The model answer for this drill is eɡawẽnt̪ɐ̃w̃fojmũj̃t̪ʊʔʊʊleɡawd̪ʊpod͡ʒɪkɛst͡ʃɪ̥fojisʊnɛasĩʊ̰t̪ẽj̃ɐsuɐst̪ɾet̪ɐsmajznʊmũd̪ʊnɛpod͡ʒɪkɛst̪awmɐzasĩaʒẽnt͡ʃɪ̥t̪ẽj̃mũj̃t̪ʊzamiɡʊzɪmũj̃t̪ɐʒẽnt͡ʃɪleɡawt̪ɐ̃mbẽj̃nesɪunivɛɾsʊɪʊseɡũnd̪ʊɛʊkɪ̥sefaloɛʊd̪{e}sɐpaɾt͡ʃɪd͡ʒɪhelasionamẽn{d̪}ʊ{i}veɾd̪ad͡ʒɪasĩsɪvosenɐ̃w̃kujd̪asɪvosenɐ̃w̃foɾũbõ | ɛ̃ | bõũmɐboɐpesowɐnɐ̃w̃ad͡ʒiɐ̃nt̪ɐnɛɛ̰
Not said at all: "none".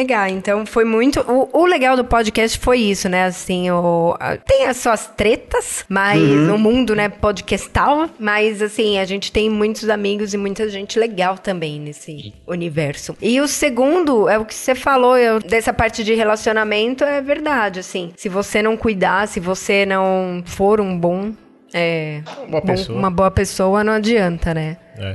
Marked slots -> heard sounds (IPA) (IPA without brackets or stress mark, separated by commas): ɛ, t̪, ɛ